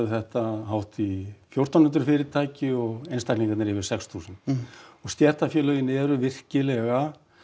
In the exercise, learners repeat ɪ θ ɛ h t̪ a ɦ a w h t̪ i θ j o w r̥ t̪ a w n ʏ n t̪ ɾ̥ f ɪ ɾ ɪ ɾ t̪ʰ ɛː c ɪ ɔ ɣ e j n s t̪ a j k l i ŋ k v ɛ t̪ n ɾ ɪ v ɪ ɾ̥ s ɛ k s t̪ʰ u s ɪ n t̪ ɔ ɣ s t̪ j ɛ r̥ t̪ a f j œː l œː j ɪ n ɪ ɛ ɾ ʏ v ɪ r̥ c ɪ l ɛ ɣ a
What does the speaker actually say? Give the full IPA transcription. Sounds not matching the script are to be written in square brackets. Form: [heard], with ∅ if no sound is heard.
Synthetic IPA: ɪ θ ɛ h t̪ a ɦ a w h t̪ i [f] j o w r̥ t̪ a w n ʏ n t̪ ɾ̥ f ɪ ɾ ɪ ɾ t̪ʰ [aː] c ɪ ɔ ɣ e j n s t̪ a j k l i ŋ k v ɛ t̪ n ɾ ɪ v ɪ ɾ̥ s ɛ k s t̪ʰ u s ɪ n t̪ ɔ ɣ s t̪ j ɛ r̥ t̪ a f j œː l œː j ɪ n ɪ ɛ ɾ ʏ v ɪ r̥ c ɪ l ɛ ɣ a